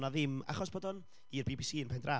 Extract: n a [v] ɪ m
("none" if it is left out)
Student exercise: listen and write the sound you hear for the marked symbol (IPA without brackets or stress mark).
ð